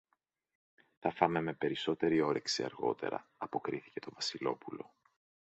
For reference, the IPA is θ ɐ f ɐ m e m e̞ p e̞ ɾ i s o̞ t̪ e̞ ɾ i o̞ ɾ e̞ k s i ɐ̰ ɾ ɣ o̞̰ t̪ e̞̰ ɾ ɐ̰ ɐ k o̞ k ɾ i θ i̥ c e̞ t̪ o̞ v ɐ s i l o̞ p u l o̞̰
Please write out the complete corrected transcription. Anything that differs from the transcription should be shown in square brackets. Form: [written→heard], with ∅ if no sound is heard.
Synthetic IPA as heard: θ ɐ f ɐ m e m e̞ p e̞ ɾ i s o̞ t̪ e̞ ɾ i o̞ ɾ e̞ k s i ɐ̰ ɾ ɣ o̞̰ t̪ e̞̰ ɾ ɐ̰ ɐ [k→p] o̞ k ɾ i θ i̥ c e̞ t̪ o̞ v ɐ s i l o̞ p u l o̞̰